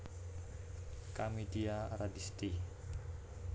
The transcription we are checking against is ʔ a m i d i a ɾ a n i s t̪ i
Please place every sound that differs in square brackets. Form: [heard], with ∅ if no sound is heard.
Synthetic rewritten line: [k] a m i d i a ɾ a [d] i s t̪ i